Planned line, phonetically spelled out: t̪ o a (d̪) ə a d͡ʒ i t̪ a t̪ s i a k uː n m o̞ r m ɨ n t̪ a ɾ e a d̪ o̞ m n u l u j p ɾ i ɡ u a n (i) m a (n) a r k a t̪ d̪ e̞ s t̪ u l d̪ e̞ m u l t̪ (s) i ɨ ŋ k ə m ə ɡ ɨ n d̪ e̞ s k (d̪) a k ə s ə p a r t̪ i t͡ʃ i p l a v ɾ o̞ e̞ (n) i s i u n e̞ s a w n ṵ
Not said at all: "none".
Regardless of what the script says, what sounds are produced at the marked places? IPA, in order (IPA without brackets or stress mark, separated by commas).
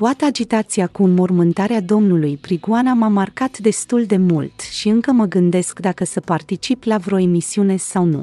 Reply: t̪, a, m, ʃ, d̪, m